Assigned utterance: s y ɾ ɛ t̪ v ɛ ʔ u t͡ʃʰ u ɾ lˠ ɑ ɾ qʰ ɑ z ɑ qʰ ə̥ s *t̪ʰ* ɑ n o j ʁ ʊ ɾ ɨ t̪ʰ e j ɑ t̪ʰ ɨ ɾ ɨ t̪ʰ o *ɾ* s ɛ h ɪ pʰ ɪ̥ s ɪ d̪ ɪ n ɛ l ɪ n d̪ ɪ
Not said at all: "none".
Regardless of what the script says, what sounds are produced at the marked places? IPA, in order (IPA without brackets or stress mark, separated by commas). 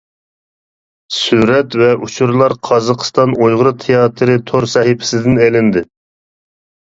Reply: t̪, ɾ